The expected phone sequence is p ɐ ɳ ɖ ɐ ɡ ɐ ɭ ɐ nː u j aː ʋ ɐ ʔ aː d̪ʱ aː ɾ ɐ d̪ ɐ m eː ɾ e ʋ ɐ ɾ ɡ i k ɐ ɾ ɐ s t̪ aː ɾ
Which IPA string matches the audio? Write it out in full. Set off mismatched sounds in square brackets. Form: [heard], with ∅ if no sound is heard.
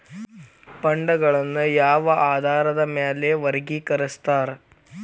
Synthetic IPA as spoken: p ɐ ɳ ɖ ɐ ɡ ɐ ɭ ɐ nː u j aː ʋ ɐ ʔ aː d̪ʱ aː ɾ ɐ d̪ ɐ m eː [l] e ʋ ɐ ɾ ɡ i k ɐ ɾ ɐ s t̪ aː ɾ